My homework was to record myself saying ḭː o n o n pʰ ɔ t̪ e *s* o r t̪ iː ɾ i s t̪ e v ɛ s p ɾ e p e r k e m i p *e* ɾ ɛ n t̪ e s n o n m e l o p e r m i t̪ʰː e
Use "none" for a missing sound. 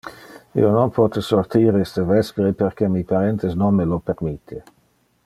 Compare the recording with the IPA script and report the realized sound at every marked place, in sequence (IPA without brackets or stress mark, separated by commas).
s, a